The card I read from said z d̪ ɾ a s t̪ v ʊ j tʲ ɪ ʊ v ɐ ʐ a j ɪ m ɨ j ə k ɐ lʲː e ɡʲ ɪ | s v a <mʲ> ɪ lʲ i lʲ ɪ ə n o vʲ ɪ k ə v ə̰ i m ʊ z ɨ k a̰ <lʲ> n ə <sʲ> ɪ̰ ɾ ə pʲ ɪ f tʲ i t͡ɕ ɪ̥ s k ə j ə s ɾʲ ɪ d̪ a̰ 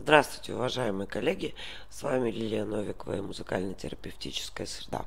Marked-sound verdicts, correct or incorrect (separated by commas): correct, correct, incorrect